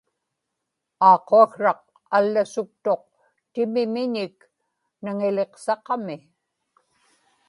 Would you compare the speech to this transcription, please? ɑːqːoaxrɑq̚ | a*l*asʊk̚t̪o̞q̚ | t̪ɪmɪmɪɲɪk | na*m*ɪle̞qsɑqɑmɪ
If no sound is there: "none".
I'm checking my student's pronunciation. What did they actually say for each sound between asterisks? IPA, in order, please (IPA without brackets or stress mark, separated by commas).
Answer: lː, ŋ